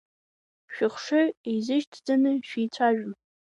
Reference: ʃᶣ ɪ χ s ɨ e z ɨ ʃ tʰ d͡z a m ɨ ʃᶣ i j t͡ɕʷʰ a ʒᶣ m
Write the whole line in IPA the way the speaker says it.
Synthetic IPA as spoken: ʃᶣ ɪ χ ʂ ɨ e z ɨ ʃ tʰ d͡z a n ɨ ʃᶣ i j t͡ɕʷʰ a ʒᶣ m